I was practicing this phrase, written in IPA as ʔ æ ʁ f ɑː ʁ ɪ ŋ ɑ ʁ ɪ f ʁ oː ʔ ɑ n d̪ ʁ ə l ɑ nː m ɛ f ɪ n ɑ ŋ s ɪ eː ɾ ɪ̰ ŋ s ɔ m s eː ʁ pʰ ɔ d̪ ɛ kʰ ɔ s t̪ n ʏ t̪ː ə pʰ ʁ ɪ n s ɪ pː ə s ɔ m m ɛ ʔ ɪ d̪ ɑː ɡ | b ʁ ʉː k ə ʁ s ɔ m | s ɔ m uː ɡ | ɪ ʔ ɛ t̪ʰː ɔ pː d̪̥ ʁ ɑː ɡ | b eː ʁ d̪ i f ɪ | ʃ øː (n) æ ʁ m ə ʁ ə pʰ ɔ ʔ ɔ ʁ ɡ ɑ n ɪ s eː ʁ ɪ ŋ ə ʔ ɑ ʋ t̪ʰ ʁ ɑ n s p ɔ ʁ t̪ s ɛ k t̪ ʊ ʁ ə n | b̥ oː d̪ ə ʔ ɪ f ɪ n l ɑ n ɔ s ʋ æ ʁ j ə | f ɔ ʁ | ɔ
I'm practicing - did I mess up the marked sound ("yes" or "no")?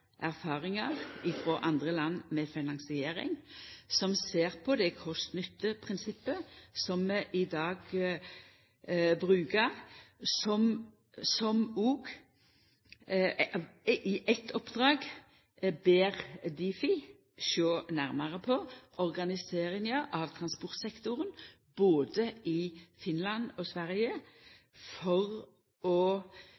no